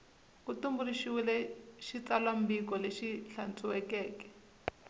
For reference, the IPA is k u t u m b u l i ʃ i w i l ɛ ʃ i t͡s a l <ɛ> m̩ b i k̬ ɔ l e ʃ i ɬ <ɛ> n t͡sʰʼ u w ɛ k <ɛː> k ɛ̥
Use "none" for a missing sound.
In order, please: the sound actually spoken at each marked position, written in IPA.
a, a, ɛː

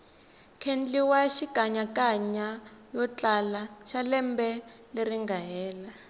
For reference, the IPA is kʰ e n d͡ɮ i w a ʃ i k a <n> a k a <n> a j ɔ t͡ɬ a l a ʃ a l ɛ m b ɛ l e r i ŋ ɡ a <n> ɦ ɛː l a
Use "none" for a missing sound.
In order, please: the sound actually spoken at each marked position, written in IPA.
ɲ, ɲ, none

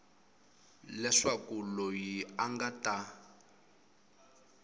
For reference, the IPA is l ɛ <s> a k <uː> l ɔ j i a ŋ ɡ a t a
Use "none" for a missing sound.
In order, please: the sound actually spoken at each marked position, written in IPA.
ʂ, u

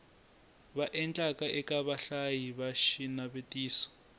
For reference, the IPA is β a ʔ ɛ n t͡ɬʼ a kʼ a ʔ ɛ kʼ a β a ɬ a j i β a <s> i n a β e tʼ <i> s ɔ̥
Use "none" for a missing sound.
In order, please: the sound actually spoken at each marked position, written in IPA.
ʃ, iː

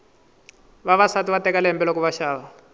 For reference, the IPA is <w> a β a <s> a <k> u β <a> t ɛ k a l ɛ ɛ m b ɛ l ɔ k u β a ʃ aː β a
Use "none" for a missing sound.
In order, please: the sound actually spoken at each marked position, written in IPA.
β, s, t, a

